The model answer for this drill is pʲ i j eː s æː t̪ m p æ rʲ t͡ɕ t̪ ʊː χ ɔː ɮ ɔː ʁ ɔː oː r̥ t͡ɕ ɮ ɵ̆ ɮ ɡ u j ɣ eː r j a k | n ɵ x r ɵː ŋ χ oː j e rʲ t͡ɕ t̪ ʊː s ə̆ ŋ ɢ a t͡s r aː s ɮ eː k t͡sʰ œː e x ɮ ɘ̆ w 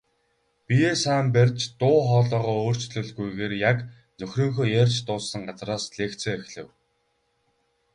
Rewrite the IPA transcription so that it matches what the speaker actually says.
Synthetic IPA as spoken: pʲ i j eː s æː m p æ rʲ t͡ɕ t̪ ʊː χ ɔː ɮ ɔː ʁ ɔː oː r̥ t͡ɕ ɮ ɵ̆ ɮ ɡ u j ɣ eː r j a k | n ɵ x r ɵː ŋ x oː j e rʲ t͡ɕ t̪ ʊː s ə̆ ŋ ɢ a t͡s r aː s ɮ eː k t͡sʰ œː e x ɮ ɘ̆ w

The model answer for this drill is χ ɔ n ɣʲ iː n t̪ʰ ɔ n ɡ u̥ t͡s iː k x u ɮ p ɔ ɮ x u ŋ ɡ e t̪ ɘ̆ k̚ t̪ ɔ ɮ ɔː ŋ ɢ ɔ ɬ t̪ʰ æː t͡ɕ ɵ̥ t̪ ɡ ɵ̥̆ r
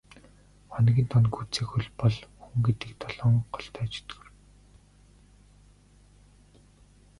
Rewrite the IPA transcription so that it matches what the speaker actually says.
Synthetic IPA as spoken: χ ɔ n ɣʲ iː n t̪ʰ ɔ n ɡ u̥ t͡s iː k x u ɮ p ɔ ɮ x u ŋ ɡ e t̪ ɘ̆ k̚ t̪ ɔ ɮ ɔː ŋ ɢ ɔ ɬ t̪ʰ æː t͡ɕ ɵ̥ t̪ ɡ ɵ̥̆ r

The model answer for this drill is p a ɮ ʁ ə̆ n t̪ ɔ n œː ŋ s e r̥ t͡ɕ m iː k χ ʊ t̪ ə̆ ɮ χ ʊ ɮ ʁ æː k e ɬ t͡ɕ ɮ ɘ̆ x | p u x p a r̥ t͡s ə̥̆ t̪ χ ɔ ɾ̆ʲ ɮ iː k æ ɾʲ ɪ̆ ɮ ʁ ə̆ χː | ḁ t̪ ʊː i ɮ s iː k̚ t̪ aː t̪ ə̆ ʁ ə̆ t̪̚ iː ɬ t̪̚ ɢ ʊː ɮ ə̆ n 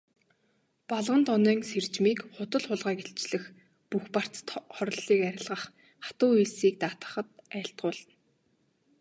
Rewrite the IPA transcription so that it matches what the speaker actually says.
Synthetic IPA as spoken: p a ɮ ʁ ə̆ n t̪ ɔ n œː ŋ s e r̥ t͡ɕ m iː k χ ʊ t̪ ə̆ ɮ χ ʊ ɮ ʁ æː k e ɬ t͡ɕ ɮ ɘ̆ x | p u x p a r̥ t͡s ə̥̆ t̪ χ ɔ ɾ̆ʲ ɮ iː k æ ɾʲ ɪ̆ ɮ ʁ ə̆ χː | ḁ t̪ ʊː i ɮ s iː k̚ t̪ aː t̪ ə̆ χ ə̆ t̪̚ æː ɬ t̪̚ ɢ ʊː ɮ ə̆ n

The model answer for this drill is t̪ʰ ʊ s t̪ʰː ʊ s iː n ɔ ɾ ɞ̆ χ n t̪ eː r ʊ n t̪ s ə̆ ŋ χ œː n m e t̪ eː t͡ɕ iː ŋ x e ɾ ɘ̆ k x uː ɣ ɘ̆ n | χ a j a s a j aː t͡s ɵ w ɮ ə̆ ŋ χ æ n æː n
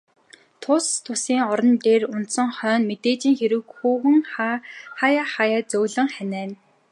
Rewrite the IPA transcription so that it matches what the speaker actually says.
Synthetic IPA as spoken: t̪ʰ ʊ s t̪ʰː ʊ s iː ŋ ɔ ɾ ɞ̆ n t̪ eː r ʊ n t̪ s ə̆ ŋ χ œː n m e t̪ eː t͡ɕ iː ŋ x e ɾ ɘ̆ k x uː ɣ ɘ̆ ŋ | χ a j a χ a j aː t͡s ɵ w ɮ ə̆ ŋ χ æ n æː n

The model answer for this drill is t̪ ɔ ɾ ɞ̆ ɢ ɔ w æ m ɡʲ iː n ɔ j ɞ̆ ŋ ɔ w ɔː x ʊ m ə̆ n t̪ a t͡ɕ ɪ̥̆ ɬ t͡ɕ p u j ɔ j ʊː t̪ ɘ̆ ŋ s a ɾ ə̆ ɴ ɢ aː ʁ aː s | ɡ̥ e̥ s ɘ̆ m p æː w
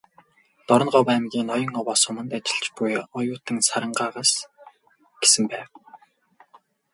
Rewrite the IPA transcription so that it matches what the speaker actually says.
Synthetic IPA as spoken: t̪ ɔ ɾ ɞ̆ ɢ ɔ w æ m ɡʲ iː n ɔ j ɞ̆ ŋ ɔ w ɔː s ʊ m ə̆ n t̪ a t͡ɕ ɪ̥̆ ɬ t͡ɕ p u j ɔ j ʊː t̪ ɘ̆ ŋ s a ɾ ə̆ ɴ ɢ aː ʁ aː s | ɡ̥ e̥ s ɘ̆ m p æː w

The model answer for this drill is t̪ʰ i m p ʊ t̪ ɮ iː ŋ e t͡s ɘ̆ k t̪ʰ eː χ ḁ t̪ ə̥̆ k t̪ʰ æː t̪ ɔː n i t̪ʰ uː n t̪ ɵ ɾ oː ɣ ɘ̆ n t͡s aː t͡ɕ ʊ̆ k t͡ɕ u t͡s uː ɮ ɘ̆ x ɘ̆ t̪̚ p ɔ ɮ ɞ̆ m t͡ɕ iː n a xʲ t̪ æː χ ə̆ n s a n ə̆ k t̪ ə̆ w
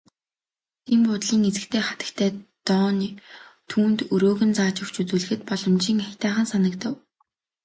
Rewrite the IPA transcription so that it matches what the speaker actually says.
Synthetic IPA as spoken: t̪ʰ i m p ʊ t̪ ɮ iː ŋ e t͡s ɘ̆ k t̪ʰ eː χ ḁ t̪ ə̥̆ k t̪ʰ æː t̪ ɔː n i t̪ʰ uː n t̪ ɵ ɾ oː ɣ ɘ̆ n t͡s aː t͡ɕ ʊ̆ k t͡ɕ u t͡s uː ɮ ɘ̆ x ɘ̆ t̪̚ p ɔ ɮ ɞ̆ m t͡ɕ iː ŋ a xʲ t̪ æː χ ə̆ n s a n ə̆ k t̪ ə̆ w

